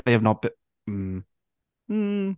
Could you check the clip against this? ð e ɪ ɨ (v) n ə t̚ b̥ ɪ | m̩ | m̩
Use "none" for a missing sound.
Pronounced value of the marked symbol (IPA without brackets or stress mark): v